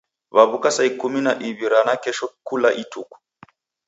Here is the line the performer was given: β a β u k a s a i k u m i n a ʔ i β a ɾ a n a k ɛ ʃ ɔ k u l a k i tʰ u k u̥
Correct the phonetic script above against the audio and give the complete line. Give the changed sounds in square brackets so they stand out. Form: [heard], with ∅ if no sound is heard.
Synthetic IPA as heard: β a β u k a s a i k u m i n a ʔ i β [i] ɾ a n a k ɛ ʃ ɔ k u l a [ʔ] i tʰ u k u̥